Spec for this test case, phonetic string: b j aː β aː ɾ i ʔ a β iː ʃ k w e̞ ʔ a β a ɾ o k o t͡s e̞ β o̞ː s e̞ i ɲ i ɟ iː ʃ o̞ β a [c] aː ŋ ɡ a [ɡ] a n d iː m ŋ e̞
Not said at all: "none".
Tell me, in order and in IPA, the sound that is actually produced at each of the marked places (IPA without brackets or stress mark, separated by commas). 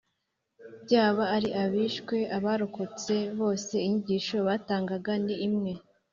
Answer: t, ɡ